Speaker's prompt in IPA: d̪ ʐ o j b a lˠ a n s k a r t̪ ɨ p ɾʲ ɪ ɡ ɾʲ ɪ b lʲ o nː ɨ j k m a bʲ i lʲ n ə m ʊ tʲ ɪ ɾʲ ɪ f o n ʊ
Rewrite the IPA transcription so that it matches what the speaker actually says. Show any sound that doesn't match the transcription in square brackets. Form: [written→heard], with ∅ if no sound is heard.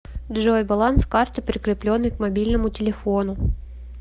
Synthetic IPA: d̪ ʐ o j b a lˠ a n s k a r t̪ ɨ p ɾʲ ɪ [ɡ→k] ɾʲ ɪ [b→p] lʲ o nː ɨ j k m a bʲ i lʲ n ə m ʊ tʲ ɪ [ɾʲ→lʲ] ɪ f o n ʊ